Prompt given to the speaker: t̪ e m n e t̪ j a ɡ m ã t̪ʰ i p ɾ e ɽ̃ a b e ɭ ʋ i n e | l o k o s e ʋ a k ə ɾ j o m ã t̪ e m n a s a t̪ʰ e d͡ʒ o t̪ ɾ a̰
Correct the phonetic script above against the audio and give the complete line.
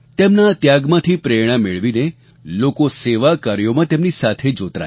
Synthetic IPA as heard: t̪ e m n a t̪ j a ɡ m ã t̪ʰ i p ɾ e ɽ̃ a m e ɭ ʋ i n e | l o k o s e ʋ a k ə ɾ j o m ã t̪ e m n i s a t̪ʰ e d͡ʒ o t̪ ɾ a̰

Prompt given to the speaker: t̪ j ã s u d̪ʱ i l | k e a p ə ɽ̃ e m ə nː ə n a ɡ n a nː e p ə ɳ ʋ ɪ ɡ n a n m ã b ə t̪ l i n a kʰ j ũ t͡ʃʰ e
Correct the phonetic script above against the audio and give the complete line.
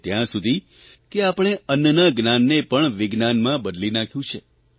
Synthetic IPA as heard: t̪ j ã s u d̪ʱ i | k e a p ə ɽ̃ e ə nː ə n a ɡ n a nː e p ə ɳ ʋ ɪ ɡ n a n m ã b ə d̪ l i n a kʰ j ũ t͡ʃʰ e

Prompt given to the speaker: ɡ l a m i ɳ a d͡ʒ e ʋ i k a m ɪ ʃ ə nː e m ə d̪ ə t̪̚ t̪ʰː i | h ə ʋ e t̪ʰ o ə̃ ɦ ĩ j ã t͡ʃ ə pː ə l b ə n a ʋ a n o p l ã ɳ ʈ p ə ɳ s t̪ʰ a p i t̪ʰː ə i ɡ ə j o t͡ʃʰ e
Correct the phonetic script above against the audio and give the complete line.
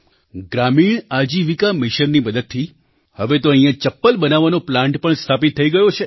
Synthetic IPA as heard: ɡ ɾ a m i ɳ a d͡ʒ i ʋ i k a m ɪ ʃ ə nː i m ə d̪ ə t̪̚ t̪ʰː i | h ə ʋ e t̪ o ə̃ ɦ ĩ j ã t͡ʃ ə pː ə l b ə n a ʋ a n o p l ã ɳ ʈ p ə ɳ s t̪ʰ a p i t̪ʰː ə i ɡ ə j o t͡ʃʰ e

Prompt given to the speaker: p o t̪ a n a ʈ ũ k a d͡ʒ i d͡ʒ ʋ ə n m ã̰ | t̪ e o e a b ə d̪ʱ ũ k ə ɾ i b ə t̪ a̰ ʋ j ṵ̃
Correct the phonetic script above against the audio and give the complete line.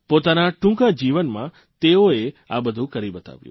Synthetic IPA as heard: p o t̪ a n a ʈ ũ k a d͡ʒ i ʋ ə n m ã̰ | t̪ e o e a b ə d̪ʱ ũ k ə ɾ i b ə t̪ a̰ ʋ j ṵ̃

